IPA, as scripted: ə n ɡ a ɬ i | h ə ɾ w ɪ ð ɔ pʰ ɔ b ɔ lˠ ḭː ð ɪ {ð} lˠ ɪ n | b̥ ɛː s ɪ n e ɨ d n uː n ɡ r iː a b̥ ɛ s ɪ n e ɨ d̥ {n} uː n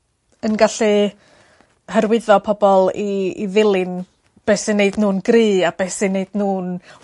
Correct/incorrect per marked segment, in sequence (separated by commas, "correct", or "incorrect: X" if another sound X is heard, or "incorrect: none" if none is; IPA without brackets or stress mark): incorrect: none, correct